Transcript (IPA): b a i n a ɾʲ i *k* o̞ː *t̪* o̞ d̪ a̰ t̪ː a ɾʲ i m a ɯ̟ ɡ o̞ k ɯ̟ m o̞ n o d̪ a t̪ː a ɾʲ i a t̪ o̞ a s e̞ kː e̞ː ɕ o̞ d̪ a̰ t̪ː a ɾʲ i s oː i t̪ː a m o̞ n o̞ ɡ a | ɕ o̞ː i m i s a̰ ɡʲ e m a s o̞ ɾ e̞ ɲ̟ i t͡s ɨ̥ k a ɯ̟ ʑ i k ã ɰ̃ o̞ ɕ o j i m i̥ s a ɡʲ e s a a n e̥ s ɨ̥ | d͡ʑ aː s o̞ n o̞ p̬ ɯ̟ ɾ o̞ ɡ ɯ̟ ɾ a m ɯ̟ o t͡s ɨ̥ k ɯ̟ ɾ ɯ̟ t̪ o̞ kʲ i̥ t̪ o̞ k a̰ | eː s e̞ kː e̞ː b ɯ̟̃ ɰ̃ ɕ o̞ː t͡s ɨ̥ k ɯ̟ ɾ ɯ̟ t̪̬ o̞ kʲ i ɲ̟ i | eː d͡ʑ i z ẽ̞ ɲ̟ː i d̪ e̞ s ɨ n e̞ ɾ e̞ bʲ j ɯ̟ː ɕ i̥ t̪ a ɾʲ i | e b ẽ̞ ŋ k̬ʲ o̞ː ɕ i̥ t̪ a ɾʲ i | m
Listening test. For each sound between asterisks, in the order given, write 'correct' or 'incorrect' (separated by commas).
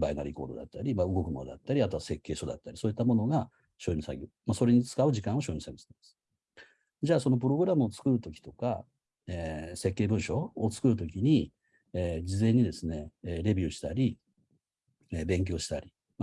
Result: correct, incorrect